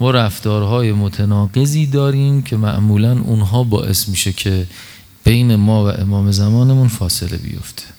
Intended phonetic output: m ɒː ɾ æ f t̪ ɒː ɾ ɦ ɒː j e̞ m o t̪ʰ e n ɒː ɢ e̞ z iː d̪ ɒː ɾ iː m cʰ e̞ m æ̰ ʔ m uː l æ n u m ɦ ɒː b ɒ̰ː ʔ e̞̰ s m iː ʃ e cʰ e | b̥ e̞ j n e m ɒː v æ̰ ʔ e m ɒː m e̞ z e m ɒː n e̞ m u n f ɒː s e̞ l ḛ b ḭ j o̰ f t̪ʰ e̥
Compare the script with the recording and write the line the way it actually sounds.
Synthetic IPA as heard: m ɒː ɾ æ f t̪ ɒː ɾ ɦ ɒː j e̞ m o t̪ʰ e n ɒː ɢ e̞ z iː d̪ ɒː ɾ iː m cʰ e̞ m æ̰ ʔ m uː l æ n u n ɦ ɒː b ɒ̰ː ʔ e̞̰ s m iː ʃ e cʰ e | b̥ e̞ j n e m ɒː v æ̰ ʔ e m ɒː m e̞ z æ m ɒː n e̞ m u n f ɒː s e̞ l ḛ b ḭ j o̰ f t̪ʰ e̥